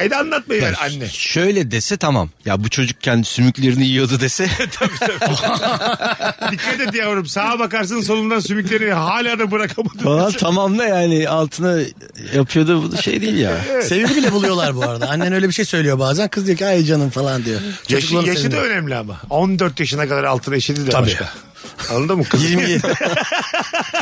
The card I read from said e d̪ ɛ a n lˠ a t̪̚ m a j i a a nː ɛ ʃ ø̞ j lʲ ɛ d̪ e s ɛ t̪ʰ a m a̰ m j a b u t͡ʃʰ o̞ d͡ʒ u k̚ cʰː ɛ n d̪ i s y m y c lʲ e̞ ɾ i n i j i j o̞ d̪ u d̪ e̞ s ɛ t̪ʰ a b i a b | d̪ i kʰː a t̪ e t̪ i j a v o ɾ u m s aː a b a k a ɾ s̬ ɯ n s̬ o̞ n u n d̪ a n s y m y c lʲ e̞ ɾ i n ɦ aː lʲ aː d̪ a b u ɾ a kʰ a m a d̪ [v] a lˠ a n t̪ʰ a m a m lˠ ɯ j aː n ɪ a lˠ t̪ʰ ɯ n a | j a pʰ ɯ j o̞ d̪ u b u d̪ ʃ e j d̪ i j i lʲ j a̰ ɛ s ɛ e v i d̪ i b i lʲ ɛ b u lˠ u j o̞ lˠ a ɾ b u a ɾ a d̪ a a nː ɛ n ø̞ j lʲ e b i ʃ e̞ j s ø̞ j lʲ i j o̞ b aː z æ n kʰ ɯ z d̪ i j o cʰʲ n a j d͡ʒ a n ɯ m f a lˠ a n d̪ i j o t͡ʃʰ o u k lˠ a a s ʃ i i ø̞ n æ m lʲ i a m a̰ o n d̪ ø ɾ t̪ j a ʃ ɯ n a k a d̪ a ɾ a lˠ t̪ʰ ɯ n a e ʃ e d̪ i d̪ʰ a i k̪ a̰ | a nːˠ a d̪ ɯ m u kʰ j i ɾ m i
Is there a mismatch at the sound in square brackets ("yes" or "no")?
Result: yes